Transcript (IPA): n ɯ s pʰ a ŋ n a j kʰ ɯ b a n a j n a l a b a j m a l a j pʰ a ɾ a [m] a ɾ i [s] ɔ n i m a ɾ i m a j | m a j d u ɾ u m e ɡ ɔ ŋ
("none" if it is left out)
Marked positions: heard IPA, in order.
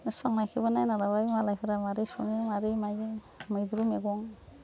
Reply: m, s

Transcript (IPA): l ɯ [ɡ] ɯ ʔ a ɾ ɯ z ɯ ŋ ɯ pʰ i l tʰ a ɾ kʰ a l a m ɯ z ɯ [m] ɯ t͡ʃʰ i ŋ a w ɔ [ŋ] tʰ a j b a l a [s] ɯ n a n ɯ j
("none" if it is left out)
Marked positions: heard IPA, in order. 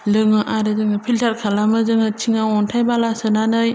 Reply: ŋ, ŋ, n, s

